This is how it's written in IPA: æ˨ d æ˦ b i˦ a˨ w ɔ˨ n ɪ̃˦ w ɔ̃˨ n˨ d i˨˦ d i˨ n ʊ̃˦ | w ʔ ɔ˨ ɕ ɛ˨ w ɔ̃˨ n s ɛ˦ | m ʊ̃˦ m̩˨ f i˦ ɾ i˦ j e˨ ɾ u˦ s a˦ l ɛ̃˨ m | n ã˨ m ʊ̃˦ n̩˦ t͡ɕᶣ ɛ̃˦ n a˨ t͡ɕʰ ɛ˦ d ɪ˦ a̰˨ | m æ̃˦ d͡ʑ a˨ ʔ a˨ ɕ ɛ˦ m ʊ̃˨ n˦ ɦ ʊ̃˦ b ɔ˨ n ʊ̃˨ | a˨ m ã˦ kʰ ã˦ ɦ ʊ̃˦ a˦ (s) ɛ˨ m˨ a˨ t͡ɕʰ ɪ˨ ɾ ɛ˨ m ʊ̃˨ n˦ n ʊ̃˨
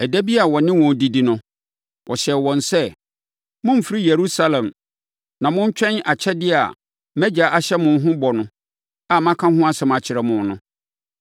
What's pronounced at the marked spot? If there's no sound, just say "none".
s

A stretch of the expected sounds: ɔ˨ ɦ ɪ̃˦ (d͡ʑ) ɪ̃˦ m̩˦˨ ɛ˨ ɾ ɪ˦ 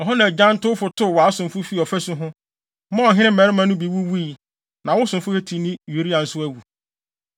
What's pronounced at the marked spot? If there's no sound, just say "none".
none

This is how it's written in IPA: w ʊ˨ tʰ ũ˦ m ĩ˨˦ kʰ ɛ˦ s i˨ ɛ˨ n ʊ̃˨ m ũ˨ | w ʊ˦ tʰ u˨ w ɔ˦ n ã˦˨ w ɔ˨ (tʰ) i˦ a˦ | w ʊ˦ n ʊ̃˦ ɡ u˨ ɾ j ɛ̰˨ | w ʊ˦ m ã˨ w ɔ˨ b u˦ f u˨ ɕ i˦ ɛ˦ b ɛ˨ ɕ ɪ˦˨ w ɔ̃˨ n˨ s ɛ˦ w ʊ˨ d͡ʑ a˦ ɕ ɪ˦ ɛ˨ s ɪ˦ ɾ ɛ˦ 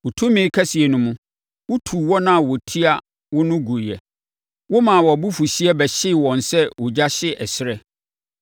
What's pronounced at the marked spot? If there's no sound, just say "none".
tʰ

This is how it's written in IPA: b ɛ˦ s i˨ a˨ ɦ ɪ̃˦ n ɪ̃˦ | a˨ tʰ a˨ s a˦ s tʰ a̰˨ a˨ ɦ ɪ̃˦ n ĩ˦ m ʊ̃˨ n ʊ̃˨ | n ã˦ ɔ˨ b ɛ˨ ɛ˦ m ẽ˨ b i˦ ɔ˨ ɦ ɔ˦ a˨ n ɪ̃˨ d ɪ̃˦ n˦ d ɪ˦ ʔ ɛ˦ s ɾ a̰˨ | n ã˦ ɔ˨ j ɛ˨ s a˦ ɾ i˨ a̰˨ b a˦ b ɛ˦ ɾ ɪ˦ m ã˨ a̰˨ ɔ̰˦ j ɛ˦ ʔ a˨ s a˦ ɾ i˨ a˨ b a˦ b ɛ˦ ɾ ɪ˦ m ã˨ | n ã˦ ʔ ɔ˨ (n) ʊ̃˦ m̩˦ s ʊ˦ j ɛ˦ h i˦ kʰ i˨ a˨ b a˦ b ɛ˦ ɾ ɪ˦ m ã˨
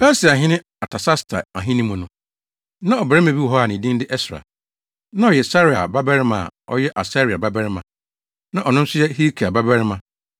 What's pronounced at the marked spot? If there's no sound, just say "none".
n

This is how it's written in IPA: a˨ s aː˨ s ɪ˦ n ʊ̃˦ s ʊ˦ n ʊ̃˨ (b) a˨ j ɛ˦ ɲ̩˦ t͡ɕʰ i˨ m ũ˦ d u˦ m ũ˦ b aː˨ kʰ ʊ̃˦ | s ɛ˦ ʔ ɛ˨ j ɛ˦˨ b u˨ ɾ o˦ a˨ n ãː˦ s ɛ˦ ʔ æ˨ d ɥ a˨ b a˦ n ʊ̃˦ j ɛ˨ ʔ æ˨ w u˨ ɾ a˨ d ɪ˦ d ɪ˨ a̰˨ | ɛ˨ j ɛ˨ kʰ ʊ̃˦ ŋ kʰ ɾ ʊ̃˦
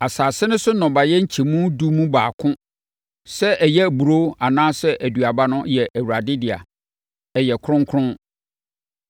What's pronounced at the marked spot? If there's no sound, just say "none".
b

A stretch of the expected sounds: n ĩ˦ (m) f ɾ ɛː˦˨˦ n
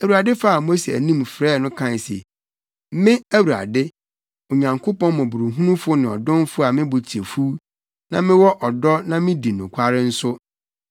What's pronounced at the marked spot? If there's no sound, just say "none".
m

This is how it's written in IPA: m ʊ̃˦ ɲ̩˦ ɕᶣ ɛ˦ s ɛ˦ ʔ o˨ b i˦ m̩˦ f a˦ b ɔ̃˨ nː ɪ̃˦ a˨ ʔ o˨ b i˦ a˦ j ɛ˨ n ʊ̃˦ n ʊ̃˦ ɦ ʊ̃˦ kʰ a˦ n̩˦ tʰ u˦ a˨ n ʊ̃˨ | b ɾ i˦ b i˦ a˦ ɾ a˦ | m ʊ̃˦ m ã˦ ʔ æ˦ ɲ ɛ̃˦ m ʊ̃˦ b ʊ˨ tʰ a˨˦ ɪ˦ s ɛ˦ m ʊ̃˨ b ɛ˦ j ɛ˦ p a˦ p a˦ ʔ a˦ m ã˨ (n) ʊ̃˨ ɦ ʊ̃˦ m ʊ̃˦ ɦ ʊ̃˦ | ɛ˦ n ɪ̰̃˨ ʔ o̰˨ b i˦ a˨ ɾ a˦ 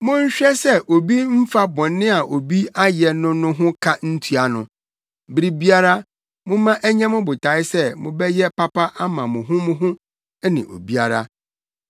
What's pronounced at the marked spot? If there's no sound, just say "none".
m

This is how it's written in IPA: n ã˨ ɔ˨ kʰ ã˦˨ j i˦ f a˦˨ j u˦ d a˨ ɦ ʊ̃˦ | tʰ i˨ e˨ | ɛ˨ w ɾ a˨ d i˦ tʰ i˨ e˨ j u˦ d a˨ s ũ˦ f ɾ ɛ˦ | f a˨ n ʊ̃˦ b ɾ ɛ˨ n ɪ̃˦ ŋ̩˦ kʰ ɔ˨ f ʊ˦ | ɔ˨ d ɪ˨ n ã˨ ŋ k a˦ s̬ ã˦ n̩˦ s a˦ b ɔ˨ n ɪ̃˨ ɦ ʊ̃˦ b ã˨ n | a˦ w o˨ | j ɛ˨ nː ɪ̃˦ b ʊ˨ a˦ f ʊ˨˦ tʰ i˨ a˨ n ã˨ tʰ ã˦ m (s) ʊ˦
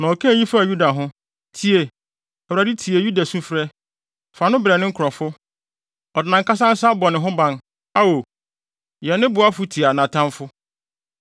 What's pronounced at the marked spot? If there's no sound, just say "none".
f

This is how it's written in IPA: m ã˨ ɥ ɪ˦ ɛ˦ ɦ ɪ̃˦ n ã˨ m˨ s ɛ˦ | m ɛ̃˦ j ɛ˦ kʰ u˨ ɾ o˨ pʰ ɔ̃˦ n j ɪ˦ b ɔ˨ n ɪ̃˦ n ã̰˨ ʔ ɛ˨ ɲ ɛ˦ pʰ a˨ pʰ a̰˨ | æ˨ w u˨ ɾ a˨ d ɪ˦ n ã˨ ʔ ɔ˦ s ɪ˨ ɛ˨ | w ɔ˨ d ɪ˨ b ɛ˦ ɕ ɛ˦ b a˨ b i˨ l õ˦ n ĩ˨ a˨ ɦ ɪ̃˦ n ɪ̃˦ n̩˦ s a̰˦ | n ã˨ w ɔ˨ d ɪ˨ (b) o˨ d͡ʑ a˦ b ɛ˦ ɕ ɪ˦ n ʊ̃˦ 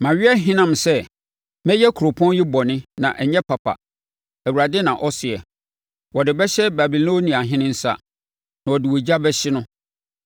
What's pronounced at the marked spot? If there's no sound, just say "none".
w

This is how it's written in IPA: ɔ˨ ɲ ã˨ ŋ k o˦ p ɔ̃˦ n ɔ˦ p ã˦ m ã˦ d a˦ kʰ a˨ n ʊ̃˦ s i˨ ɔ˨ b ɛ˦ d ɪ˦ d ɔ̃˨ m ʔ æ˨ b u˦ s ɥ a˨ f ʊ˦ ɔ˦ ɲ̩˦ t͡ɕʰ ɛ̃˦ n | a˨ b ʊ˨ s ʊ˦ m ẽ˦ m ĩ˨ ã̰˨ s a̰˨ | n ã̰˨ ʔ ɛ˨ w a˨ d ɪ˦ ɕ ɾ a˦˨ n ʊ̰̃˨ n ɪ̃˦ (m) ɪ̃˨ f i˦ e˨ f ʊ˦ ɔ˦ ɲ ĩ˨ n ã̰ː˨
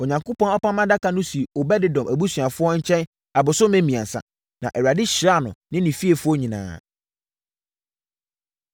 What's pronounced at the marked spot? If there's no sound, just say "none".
n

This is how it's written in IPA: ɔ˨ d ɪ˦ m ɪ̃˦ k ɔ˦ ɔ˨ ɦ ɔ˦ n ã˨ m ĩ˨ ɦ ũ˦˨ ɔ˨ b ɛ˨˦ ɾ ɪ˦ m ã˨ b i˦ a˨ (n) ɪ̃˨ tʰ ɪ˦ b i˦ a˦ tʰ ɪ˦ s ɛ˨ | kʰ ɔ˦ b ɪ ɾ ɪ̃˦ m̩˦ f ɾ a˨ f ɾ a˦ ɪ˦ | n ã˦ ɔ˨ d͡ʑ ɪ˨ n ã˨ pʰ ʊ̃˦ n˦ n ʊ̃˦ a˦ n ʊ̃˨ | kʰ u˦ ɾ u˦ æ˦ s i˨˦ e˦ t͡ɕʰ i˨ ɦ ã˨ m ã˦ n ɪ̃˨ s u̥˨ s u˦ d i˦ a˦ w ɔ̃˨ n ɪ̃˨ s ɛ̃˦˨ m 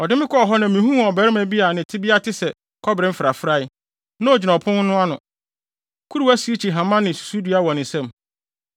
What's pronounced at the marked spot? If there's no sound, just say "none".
n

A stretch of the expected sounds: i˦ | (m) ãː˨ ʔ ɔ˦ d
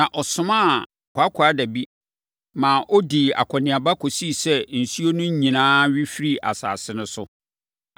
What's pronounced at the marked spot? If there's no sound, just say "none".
m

